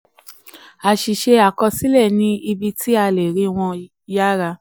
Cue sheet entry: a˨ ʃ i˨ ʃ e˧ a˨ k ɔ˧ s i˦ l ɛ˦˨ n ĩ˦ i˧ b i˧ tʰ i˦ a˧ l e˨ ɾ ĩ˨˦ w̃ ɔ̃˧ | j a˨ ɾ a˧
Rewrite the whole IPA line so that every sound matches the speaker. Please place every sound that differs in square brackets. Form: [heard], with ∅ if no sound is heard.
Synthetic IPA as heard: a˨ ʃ i˨ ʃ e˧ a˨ k ɔ˧ s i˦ l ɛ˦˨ n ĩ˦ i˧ b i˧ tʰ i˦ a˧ l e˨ ɾ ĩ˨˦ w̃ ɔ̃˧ | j [a˦] ɾ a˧